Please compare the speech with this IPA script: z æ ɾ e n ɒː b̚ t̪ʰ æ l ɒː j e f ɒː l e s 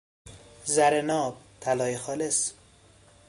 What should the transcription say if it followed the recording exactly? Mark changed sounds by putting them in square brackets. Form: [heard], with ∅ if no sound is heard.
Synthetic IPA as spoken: z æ ɾ e n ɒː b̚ t̪ʰ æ l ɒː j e [x] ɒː l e s